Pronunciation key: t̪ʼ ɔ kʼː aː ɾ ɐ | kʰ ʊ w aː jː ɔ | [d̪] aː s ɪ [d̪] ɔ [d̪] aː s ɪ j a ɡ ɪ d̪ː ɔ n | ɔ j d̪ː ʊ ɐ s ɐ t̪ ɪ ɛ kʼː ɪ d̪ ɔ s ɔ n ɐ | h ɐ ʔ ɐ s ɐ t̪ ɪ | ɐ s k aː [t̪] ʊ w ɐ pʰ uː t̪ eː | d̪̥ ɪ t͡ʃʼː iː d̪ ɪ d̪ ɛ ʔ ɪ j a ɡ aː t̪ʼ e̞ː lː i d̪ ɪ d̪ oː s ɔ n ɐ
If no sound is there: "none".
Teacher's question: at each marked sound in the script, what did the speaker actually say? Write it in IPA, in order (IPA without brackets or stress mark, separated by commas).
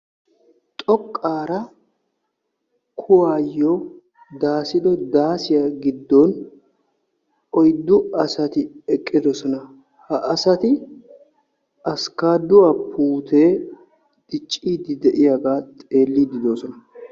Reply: d̪, d̪, d̪, d̪